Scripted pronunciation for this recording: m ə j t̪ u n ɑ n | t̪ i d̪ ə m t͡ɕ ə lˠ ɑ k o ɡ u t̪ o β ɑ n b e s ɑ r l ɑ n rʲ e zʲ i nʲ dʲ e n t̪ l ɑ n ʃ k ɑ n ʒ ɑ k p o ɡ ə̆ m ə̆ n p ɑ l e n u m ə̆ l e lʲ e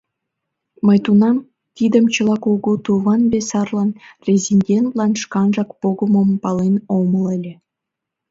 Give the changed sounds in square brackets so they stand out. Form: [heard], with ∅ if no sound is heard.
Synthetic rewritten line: m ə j t̪ u n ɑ [m] | t̪ i d̪ ə m t͡ɕ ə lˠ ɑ k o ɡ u t̪ [u] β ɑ n b e s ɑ r l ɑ n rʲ e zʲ i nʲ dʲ e n t̪ l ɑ n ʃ k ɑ n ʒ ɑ k p o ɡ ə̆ m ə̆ [m] p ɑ l e n [o] m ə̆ l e lʲ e